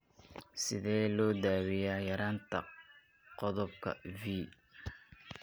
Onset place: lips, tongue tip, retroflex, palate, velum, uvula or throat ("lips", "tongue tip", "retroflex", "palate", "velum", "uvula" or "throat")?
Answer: tongue tip